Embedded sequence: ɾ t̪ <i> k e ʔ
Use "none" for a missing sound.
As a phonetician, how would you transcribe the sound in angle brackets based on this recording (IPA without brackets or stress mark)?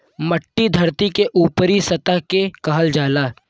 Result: i